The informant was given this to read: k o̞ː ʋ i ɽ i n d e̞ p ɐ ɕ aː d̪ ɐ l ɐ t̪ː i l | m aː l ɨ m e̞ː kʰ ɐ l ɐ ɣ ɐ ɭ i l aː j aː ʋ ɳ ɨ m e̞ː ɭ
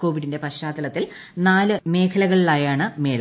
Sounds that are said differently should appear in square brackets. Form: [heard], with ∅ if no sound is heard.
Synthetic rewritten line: k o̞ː ʋ i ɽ i n d e̞ p ɐ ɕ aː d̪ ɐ l ɐ t̪ː i l | [n] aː l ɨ m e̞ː kʰ ɐ l ɐ ɣ ɐ ɭ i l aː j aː [∅] ɳ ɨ m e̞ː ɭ